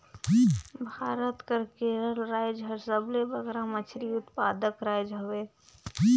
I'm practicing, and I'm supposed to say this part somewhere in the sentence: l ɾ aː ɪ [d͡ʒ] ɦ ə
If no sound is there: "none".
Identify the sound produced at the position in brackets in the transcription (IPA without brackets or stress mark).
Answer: d͡ʒ